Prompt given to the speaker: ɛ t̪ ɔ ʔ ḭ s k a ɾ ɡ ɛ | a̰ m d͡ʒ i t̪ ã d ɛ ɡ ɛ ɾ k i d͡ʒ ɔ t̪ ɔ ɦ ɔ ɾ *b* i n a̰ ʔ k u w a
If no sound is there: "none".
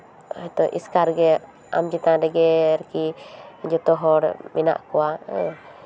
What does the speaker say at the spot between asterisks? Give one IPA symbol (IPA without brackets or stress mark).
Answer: m